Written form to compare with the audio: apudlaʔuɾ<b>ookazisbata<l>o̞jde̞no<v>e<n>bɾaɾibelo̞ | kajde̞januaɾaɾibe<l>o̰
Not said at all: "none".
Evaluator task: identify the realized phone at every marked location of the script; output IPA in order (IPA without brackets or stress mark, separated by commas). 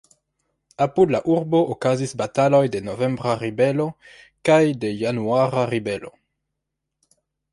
b, l, v, m, l